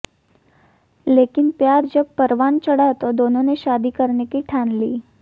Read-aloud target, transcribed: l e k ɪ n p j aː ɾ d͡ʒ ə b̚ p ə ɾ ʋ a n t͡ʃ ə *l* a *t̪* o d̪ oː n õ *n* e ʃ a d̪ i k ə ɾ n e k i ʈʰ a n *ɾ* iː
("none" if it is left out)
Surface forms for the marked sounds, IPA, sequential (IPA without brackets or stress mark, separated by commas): ɽ, t̪, n, l